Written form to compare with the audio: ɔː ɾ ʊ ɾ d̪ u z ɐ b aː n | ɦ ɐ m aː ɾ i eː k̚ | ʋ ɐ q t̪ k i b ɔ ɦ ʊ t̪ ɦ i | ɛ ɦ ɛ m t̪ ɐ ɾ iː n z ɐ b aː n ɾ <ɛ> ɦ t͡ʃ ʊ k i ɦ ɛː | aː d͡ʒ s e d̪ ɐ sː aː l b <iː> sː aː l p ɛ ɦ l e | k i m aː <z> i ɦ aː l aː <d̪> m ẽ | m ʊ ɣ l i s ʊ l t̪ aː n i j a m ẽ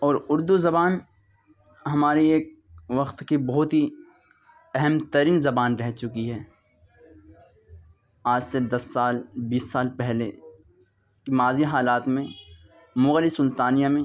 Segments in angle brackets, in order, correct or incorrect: correct, correct, correct, incorrect

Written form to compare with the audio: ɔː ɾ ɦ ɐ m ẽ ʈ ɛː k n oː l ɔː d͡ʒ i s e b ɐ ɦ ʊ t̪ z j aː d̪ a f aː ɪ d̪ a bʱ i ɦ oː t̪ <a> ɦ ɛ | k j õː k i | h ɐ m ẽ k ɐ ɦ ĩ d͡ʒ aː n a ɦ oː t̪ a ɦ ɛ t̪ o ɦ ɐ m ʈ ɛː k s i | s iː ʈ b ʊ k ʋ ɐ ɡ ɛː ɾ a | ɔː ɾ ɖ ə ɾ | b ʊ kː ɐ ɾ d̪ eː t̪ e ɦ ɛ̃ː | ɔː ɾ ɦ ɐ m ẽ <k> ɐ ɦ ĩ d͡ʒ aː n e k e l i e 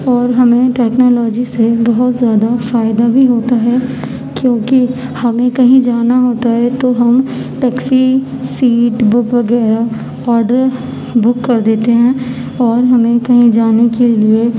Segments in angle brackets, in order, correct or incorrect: correct, correct

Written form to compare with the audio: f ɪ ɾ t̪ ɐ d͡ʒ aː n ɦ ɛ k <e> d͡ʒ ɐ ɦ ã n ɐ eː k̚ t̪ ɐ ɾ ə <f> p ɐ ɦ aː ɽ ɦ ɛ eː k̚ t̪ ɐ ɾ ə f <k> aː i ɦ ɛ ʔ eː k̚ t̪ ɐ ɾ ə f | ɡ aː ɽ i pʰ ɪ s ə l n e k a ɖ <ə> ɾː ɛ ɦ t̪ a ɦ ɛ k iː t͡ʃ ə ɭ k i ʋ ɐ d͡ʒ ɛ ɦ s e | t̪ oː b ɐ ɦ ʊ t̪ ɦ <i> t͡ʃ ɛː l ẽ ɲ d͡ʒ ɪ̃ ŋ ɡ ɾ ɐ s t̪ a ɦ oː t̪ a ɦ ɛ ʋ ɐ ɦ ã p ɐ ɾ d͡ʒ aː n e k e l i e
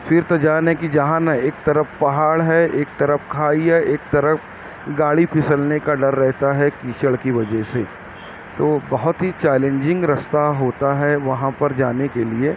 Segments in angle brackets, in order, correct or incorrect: incorrect, correct, incorrect, incorrect, correct

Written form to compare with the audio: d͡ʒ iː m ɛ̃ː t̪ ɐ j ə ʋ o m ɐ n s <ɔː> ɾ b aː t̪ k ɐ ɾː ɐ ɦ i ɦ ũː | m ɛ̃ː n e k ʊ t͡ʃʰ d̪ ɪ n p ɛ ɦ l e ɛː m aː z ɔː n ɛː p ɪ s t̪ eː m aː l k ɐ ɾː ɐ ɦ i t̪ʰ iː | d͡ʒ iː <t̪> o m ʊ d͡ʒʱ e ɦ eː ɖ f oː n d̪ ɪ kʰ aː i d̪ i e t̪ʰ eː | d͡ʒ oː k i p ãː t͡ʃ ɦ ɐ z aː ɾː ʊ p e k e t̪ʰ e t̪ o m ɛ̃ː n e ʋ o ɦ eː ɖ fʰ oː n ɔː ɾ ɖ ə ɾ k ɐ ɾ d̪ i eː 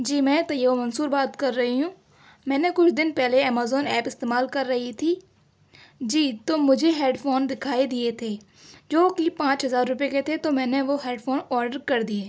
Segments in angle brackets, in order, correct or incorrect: incorrect, correct

